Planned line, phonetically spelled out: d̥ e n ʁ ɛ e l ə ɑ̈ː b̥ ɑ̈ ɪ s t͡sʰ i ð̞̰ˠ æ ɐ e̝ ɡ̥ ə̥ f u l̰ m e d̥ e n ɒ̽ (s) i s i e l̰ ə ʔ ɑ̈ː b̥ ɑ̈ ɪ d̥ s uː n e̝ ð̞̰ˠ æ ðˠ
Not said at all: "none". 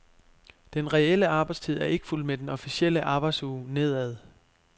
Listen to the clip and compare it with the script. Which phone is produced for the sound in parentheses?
f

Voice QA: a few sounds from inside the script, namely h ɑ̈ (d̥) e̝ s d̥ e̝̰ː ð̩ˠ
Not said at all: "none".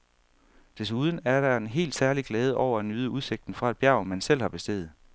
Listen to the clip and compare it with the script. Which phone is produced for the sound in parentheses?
b̥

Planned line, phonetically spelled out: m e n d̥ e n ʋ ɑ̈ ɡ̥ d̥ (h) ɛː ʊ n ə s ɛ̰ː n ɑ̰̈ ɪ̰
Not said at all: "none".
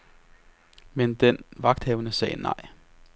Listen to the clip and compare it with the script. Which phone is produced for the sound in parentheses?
h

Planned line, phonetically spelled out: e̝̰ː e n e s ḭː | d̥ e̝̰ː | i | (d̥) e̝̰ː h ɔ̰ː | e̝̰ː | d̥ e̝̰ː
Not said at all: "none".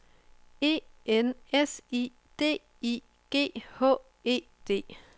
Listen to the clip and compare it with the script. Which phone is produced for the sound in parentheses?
ɡ̥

